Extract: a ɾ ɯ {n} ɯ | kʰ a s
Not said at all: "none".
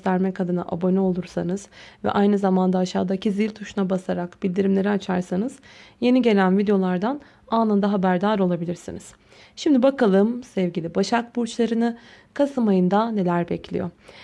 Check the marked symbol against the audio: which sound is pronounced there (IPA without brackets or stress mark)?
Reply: n